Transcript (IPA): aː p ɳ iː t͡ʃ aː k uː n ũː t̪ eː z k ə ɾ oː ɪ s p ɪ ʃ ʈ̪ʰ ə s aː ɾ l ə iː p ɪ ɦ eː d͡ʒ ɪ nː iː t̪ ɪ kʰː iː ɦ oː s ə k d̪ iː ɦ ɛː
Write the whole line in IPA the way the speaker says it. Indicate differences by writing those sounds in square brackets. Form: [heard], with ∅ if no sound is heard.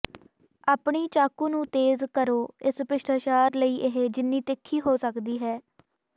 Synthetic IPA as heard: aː p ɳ iː t͡ʃ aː k uː n ũː t̪ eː z k ə ɾ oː ɪ s p ɪ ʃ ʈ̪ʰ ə [ʃ] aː ɾ l ə iː [ʔ] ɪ ɦ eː d͡ʒ ɪ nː iː t̪ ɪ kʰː iː ɦ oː s ə k d̪ iː ɦ ɛː